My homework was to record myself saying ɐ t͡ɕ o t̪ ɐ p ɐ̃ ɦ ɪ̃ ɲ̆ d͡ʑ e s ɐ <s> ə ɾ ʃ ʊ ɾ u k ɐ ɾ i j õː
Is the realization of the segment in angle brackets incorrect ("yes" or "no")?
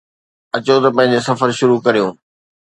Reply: yes